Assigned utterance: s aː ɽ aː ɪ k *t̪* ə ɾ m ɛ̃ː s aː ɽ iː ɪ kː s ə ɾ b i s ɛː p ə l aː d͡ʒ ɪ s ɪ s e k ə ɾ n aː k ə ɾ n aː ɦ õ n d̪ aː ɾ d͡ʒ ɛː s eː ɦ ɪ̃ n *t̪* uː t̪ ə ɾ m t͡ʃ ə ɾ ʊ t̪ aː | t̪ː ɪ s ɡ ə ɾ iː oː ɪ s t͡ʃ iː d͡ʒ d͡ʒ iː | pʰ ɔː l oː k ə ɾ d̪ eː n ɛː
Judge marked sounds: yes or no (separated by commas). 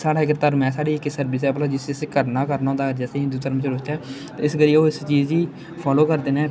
yes, no